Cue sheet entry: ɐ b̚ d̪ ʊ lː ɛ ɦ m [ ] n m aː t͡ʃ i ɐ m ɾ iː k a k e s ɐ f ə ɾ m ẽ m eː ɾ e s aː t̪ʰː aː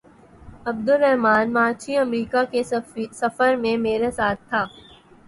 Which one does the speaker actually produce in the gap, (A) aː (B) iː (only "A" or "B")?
A